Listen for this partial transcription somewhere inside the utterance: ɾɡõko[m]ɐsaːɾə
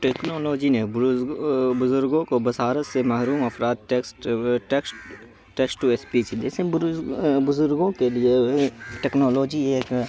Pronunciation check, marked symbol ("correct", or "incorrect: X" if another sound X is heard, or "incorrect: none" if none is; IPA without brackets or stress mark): incorrect: b